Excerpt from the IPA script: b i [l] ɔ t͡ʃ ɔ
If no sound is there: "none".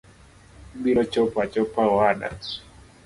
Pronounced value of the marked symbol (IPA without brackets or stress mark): ɾ